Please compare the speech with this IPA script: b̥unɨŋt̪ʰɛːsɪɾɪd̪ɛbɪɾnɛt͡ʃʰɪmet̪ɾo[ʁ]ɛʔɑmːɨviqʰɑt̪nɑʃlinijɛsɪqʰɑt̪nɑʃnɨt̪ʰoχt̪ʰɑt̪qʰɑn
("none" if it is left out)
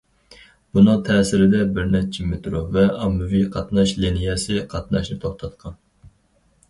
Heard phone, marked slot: v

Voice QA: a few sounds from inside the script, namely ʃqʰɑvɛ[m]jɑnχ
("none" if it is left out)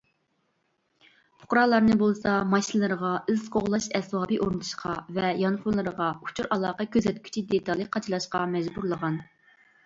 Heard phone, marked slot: none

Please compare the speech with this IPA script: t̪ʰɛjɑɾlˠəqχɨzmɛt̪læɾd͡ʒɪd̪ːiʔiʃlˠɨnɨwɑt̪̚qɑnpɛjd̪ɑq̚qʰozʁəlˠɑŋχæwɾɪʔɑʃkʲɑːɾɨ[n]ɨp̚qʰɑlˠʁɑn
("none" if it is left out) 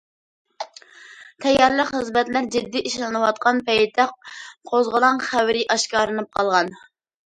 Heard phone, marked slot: n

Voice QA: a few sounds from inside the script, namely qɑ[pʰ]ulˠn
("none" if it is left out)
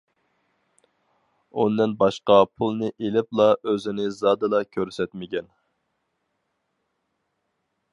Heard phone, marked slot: pʰ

